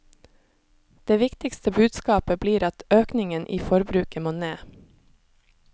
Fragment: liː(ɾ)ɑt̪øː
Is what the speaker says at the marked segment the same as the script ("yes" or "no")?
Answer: yes